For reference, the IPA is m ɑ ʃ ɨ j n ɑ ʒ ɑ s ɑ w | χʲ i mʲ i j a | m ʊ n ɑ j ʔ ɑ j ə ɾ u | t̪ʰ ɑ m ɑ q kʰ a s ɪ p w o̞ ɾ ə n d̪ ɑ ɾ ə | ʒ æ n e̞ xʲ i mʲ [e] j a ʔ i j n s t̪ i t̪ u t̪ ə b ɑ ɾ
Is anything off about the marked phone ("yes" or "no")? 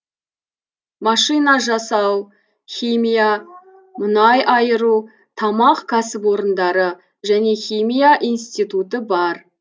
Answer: yes